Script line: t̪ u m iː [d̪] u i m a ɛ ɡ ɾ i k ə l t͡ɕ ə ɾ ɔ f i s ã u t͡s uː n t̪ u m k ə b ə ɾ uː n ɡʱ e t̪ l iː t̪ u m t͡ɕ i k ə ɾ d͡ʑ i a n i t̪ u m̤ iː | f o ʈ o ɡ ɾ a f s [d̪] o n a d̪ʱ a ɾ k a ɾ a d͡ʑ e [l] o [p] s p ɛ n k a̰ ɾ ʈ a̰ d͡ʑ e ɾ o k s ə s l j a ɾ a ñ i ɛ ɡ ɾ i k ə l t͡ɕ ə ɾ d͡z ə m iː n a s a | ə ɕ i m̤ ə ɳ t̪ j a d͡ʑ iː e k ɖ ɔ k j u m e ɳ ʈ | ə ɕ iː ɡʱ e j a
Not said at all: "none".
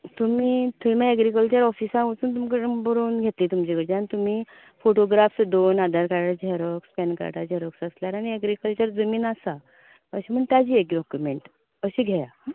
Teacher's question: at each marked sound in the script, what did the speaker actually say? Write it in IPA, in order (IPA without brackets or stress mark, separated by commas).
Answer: t̪, d̪, ɾ, k